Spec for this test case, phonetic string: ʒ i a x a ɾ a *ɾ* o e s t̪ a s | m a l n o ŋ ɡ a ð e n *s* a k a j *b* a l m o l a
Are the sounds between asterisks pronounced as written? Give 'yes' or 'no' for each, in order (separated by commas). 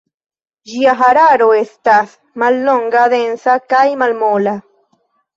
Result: yes, yes, no